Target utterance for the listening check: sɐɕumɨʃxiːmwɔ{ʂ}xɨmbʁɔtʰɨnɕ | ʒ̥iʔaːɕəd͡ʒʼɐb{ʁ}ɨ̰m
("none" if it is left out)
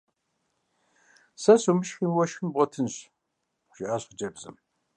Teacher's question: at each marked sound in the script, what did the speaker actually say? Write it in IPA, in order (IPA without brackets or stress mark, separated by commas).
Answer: ʃ, z